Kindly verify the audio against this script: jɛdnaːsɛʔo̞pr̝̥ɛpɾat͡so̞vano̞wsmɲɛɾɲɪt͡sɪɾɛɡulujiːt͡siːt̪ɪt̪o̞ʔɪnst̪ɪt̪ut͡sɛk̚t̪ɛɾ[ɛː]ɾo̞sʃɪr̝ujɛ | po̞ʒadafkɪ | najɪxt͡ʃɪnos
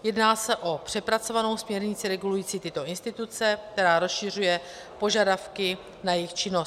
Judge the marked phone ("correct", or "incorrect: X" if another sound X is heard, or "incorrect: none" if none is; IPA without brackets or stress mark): incorrect: aː